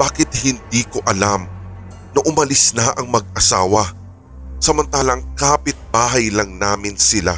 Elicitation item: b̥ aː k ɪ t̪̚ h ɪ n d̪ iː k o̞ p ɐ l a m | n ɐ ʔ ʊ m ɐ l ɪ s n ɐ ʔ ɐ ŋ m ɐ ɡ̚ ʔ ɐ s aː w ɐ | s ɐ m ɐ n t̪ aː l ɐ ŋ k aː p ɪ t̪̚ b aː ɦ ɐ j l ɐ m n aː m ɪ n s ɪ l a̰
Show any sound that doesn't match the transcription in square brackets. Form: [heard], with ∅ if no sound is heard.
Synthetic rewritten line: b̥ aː k ɪ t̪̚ h ɪ n d̪ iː k o̞ [ʔ] ɐ l a m | n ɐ ʔ ʊ m ɐ l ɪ s n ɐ ʔ ɐ ŋ m ɐ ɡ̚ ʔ ɐ s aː w ɐ | s ɐ m ɐ n t̪ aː l ɐ ŋ k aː p ɪ t̪̚ b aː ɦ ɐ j l ɐ [ŋ] n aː m ɪ n s ɪ l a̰